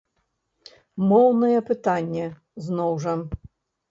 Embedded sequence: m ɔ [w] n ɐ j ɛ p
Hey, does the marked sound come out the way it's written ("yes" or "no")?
yes